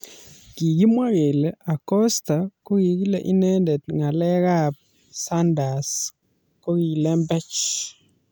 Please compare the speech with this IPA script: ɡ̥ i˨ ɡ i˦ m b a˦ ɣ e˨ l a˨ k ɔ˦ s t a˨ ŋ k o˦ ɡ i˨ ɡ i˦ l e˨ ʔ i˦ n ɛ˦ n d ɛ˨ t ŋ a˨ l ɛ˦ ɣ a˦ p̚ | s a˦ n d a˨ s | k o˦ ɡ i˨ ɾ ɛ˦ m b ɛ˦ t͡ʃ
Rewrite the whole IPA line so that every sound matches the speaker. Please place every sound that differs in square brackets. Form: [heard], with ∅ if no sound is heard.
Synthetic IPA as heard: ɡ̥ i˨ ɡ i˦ m [w] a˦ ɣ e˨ l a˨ k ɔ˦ s t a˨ [∅] k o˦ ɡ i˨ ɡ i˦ l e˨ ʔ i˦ n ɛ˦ n d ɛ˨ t ŋ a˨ l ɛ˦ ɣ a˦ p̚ | s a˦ n d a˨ s | k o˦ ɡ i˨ [l] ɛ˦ m b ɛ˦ t͡ʃ

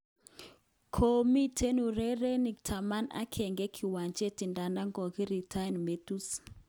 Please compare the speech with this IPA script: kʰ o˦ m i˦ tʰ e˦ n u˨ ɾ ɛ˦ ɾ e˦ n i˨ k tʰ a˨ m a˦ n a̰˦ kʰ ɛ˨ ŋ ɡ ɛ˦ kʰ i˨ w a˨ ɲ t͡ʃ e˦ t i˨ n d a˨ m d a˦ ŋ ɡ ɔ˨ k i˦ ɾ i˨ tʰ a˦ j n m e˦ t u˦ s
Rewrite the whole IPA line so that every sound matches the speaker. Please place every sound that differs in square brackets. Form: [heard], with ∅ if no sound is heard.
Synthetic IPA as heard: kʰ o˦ m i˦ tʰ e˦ n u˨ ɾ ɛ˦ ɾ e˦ n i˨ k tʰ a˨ m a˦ n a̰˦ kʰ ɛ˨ ŋ ɡ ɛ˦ kʰ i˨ w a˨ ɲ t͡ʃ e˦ t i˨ n d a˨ [n] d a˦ ŋ ɡ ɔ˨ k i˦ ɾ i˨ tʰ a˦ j n m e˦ t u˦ s

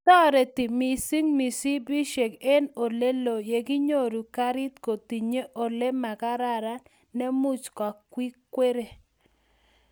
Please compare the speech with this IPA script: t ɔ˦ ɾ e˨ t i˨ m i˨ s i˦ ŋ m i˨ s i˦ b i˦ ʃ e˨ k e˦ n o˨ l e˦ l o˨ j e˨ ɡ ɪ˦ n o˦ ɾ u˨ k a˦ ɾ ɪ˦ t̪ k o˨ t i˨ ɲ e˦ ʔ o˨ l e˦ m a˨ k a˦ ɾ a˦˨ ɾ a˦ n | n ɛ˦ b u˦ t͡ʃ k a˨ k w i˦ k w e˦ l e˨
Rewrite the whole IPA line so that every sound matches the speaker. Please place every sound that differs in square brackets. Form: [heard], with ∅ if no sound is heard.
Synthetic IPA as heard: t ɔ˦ ɾ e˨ t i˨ m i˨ s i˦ ŋ m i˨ s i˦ b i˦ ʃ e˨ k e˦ n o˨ l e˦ l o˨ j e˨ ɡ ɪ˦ [ɲ] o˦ ɾ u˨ k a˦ ɾ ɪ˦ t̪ k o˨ t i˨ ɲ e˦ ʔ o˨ l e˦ m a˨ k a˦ ɾ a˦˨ ɾ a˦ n | n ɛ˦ [m] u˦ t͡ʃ k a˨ k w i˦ k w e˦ [ɾ] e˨

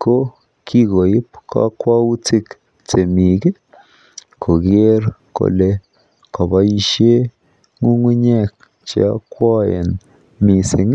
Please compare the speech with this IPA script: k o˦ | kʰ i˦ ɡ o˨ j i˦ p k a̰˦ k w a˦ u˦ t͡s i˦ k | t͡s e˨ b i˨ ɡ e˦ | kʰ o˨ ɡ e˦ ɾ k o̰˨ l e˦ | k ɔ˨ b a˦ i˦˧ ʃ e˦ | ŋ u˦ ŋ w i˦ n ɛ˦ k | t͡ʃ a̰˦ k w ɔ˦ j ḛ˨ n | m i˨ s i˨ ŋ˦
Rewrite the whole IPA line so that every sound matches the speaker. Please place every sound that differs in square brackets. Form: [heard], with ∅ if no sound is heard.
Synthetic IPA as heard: k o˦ | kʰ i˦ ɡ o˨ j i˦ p k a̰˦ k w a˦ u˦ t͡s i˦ k | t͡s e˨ [m] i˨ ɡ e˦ | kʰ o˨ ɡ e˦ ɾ k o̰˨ l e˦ | k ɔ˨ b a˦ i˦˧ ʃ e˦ | ŋ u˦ ŋ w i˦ [ɲ] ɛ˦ k | t͡ʃ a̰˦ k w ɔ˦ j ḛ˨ n | m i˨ s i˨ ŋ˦

